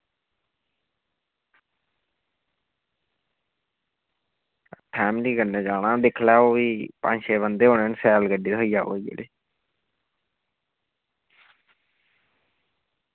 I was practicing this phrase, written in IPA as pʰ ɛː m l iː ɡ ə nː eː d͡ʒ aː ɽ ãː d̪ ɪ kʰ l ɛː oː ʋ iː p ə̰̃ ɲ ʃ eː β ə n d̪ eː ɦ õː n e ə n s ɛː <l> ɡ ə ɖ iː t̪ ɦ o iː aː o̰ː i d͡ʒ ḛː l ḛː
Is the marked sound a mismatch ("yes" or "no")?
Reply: no